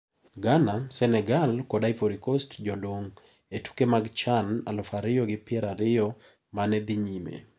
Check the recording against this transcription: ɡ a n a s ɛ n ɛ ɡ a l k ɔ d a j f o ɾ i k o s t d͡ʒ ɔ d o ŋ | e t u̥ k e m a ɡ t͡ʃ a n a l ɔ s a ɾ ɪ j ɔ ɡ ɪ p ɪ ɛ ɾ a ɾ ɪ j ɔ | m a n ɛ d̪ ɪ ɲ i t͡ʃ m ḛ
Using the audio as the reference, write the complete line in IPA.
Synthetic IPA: ɡ a n a s ɛ n ɛ ɡ a l k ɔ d a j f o ɾ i k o s t d͡ʒ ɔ d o ŋ | e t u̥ k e m a ɡ t͡ʃ a n a l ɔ f a ɾ ɪ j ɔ ɡ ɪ p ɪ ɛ ɾ a ɾ ɪ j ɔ | m a n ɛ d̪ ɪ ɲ i m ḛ